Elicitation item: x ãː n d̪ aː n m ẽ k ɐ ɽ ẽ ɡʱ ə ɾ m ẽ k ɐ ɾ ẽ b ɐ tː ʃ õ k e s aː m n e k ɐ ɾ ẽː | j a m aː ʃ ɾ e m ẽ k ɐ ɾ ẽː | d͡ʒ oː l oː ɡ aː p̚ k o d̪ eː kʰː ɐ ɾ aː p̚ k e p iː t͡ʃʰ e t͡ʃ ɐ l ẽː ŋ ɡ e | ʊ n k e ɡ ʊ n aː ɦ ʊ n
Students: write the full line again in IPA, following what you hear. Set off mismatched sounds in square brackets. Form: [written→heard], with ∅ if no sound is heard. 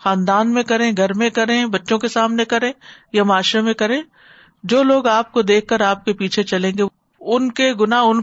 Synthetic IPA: x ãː n d̪ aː n m ẽ k ɐ [ɽ→ɾ] ẽ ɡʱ [ə→ɐ] ɾ m ẽ k ɐ ɾ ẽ b ɐ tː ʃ õ k e s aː m n e k ɐ ɾ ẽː | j a m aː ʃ ɾ e m ẽ k ɐ ɾ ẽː | d͡ʒ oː l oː ɡ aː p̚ k o d̪ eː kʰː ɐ ɾ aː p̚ k e p iː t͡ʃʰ e t͡ʃ ɐ l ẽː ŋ ɡ e | ʊ n k e ɡ ʊ n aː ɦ ʊ n